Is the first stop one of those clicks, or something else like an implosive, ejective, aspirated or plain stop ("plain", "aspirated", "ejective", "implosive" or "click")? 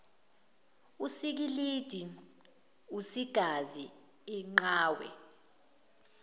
plain